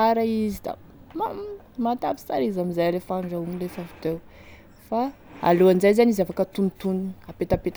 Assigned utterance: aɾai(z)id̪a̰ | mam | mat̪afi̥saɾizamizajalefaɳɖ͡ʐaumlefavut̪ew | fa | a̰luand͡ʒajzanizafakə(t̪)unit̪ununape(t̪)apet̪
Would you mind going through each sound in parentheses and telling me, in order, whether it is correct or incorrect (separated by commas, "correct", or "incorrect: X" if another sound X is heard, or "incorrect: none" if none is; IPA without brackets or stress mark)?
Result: correct, correct, correct